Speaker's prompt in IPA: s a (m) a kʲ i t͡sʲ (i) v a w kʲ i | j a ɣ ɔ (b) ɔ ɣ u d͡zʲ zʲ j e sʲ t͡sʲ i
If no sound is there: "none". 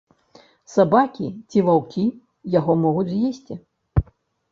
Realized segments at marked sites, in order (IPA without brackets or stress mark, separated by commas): b, i, m